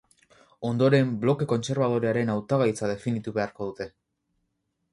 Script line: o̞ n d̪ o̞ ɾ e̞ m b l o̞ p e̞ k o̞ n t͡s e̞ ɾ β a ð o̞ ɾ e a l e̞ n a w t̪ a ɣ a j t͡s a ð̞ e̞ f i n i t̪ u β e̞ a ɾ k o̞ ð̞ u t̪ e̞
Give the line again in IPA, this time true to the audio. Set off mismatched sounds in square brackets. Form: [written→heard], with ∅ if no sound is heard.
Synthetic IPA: o̞ n d̪ o̞ ɾ e̞ m b l o̞ [p→k] e̞ k o̞ n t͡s e̞ ɾ β a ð o̞ ɾ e a [l→ɾ] e̞ n a w t̪ a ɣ a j t͡s a ð̞ e̞ f i n i t̪ u β e̞ a ɾ k o̞ ð̞ u t̪ e̞